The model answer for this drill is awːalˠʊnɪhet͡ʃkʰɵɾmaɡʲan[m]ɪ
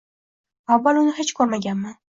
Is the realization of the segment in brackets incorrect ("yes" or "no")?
no